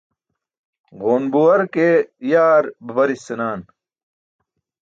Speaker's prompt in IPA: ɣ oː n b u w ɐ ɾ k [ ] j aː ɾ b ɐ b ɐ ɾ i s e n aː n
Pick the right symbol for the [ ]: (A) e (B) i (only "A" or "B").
A